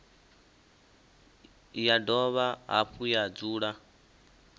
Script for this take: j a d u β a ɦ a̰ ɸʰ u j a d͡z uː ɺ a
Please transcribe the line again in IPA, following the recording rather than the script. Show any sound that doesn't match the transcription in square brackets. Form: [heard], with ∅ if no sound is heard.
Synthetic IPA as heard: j a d [ɔ] β a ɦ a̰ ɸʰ u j a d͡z uː ɺ a